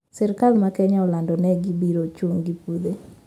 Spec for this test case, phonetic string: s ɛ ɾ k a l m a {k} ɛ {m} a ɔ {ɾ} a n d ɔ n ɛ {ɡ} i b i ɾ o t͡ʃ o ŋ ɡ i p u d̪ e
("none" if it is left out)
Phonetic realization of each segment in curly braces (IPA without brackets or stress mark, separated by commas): k, ɲ, l, ɡ